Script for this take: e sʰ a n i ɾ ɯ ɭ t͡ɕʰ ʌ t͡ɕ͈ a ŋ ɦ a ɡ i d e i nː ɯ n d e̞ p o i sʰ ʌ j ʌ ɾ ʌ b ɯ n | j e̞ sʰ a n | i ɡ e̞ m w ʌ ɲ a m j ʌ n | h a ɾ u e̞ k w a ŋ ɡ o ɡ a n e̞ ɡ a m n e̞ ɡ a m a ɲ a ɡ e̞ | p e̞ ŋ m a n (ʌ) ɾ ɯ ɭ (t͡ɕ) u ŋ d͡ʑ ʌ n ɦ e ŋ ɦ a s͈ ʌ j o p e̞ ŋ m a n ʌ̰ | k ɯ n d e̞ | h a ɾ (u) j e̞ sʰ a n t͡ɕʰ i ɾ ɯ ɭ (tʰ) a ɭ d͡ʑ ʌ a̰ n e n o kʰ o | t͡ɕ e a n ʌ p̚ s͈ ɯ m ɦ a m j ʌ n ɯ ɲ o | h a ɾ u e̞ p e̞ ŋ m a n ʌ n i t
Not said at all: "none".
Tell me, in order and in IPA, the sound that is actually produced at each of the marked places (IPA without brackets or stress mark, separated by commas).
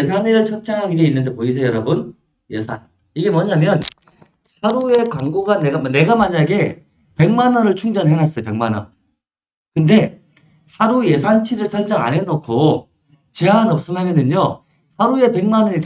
ʌ, t͡ɕʰ, u, sʰ